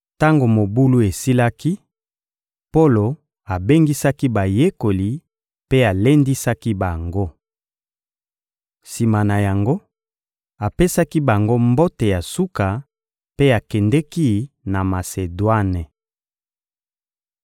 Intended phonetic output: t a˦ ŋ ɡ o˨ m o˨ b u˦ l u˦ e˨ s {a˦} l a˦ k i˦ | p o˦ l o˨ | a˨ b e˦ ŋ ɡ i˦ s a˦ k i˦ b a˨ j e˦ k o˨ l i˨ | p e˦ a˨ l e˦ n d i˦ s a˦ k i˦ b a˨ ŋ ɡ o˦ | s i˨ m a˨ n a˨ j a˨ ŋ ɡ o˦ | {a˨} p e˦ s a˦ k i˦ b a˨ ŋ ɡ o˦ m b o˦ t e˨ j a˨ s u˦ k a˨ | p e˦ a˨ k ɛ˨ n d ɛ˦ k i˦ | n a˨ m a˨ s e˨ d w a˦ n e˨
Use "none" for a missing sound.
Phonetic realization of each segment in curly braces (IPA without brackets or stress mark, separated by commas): i˦, a˨